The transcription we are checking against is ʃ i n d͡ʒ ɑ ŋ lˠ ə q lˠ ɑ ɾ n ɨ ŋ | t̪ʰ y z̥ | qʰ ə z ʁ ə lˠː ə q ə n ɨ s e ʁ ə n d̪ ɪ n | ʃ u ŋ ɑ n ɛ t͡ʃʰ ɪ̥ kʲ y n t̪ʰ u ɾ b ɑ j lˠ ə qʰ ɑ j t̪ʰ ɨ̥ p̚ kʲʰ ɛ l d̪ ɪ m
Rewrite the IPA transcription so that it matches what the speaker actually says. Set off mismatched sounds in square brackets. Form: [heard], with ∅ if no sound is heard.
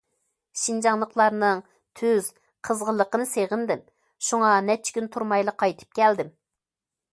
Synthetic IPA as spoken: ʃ i n d͡ʒ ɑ ŋ lˠ ə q lˠ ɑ ɾ n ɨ ŋ | t̪ʰ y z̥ | qʰ ə z ʁ ə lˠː ə q ə n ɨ s e ʁ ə n d̪ ɪ [m] | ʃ u ŋ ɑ n ɛ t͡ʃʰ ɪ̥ kʲ y n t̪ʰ u ɾ [m] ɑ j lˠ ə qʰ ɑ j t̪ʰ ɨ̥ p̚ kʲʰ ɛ l d̪ ɪ m

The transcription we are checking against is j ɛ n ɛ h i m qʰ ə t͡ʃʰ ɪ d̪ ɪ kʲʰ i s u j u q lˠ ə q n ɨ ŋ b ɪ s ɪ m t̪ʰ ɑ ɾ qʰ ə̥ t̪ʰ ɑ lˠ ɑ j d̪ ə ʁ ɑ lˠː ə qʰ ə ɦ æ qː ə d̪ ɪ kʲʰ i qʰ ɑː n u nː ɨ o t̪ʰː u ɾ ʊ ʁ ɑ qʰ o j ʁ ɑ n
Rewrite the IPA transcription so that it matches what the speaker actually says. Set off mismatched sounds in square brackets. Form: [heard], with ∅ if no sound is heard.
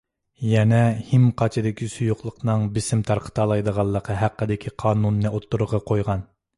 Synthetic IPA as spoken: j ɛ n ɛ h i m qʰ [ɑ] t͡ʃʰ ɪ d̪ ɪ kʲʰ i s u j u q lˠ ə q n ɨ ŋ b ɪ s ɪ m t̪ʰ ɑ ɾ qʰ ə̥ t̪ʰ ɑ lˠ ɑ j d̪ ə ʁ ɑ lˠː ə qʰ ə ɦ æ qː ə d̪ ɪ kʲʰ i qʰ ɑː n u nː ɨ o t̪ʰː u ɾ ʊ ʁ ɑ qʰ o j ʁ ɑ n

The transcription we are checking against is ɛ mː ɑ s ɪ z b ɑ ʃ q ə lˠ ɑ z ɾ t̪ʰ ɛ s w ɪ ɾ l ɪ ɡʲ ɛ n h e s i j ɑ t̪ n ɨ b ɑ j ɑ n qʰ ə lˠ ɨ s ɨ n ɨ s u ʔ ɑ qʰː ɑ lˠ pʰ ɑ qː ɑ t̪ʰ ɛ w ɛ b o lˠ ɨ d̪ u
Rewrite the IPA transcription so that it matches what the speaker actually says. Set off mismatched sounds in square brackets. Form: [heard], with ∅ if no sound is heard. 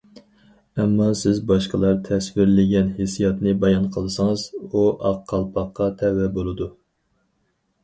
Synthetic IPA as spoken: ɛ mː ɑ s ɪ z b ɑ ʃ q ə lˠ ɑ [∅] ɾ t̪ʰ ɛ s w ɪ ɾ l ɪ ɡʲ ɛ n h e s i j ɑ t̪ n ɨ b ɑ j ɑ n qʰ ə lˠ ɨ s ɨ [ŋ] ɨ [z] u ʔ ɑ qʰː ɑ lˠ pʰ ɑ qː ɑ t̪ʰ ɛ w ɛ b o lˠ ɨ d̪ u

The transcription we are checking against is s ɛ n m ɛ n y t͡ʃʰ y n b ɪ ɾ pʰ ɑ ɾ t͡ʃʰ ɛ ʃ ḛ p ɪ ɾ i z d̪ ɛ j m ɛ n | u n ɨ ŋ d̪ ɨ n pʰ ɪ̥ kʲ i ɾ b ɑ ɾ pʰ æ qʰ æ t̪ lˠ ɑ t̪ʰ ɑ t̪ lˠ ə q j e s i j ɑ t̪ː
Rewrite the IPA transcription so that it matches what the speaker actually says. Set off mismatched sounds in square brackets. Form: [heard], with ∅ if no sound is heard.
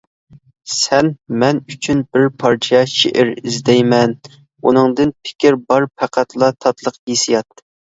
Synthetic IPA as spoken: s ɛ n m ɛ n y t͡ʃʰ y n b ɪ ɾ pʰ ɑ ɾ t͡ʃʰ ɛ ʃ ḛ [ʔ] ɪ ɾ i z d̪ ɛ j m ɛ n | u n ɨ ŋ d̪ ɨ n pʰ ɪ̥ kʲ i ɾ b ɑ ɾ pʰ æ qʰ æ t̪ lˠ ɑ t̪ʰ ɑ t̪ lˠ ə q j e s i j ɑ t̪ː

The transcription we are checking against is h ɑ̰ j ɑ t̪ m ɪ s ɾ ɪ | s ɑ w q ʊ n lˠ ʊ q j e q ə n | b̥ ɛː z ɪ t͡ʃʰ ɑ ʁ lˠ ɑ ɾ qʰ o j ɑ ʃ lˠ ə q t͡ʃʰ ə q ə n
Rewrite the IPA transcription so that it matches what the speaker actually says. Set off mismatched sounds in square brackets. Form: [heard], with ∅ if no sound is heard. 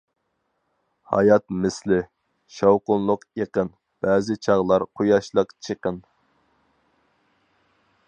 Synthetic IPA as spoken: h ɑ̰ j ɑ t̪ m ɪ s [l] ɪ | [ʃ] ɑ w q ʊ n lˠ ʊ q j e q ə n | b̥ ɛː z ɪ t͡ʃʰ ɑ ʁ lˠ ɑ ɾ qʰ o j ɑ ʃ lˠ ə q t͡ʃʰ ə q ə n

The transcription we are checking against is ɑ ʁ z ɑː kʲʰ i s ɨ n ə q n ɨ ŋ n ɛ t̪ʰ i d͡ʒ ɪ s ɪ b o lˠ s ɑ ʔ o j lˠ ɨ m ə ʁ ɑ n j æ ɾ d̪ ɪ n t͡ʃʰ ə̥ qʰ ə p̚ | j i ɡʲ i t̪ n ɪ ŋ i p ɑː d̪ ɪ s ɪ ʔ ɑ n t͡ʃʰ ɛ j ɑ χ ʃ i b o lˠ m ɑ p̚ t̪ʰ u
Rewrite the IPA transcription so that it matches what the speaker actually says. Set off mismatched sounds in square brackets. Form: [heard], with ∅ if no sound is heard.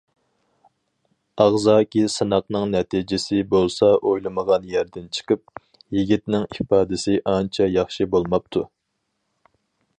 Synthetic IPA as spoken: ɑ ʁ z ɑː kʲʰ i s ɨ n [ɑ] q n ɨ ŋ n ɛ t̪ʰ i d͡ʒ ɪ s ɪ b o lˠ s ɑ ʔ o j lˠ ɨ m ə ʁ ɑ n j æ ɾ d̪ ɪ n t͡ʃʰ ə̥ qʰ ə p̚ | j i ɡʲ i t̪ n ɪ ŋ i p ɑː d̪ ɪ s ɪ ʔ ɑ n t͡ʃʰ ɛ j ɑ χ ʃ i b o lˠ m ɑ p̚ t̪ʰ u

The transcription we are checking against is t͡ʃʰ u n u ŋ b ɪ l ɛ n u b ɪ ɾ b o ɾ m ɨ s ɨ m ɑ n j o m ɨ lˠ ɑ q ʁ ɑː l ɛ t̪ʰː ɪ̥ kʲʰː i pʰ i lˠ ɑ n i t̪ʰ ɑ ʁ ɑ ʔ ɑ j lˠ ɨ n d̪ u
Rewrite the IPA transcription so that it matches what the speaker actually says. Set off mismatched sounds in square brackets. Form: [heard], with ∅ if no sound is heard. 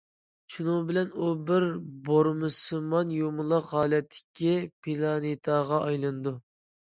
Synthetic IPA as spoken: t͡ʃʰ u n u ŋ b ɪ l ɛ n u b ɪ ɾ b o ɾ m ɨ s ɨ m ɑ n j o m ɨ lˠ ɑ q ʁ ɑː l ɛ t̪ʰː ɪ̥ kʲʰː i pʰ i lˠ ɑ n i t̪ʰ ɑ ʁ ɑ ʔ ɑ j lˠ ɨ n d̪ u

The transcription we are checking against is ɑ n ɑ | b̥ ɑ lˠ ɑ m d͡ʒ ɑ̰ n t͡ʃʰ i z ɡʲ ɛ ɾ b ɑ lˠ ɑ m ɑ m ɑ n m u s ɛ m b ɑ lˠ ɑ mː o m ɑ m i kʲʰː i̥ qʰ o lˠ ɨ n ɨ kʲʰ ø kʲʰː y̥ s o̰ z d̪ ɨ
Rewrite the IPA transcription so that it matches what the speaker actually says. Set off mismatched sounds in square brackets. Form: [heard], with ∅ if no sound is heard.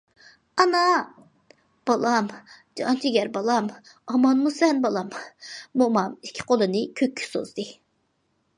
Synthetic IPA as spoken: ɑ n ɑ | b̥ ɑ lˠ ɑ m d͡ʒ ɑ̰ n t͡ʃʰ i [∅] ɡʲ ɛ ɾ b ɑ lˠ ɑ m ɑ m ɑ n m u s ɛ [n] b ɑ lˠ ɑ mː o m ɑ m i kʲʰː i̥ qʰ o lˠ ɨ n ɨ kʲʰ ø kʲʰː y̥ s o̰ z d̪ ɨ

